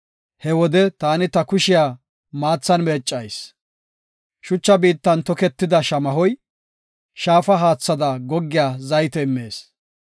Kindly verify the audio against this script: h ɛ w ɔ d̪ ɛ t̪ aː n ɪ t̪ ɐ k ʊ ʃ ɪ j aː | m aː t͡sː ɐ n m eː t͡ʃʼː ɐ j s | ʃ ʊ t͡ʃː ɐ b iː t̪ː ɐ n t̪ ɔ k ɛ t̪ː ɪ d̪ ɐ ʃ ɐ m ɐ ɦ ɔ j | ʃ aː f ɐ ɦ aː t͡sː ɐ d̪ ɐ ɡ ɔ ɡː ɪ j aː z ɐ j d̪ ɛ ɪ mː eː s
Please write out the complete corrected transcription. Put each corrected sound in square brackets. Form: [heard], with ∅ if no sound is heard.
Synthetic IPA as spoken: h ɛ w ɔ d̪ ɛ t̪ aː n ɪ t̪ ɐ k ʊ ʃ ɪ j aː | m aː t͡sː ɐ n m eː t͡ʃʼː ɐ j s | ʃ ʊ t͡ʃː ɐ b iː t̪ː ɐ n t̪ ɔ k ɛ t̪ː ɪ d̪ ɐ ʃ ɐ m ɐ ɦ ɔ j | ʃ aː f ɐ ɦ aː t͡sː ɐ d̪ ɐ ɡ ɔ ɡː ɪ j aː z ɐ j [t̪] ɛ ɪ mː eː s